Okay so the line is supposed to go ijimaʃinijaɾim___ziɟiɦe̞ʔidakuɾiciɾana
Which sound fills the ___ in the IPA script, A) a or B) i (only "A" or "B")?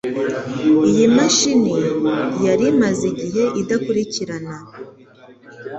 A